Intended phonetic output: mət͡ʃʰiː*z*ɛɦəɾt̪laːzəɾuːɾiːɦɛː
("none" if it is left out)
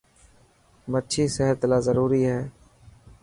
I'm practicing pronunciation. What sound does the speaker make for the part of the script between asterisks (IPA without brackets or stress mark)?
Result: s